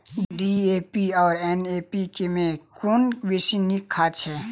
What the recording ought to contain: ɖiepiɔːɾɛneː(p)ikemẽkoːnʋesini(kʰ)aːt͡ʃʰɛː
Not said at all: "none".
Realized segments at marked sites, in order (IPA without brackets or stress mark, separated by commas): p, kʰ